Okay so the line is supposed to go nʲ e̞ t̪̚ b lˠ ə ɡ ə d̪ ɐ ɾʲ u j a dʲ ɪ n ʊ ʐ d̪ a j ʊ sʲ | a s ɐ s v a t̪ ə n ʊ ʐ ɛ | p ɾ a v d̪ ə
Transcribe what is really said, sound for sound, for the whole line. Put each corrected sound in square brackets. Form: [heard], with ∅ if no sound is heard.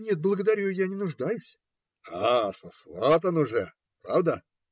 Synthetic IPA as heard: nʲ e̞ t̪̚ b lˠ ə ɡ ə d̪ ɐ ɾʲ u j a [nʲ] ɪ n ʊ ʐ d̪ a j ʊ sʲ | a s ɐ s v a t̪ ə n ʊ ʐ ɛ | p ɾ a v d̪ ə